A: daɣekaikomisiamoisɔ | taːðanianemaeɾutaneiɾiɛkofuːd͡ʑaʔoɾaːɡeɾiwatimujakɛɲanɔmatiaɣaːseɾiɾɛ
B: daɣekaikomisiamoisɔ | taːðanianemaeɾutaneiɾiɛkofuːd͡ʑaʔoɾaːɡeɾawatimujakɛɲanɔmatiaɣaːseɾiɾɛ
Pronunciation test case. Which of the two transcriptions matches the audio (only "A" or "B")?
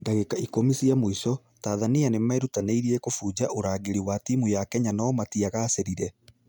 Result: A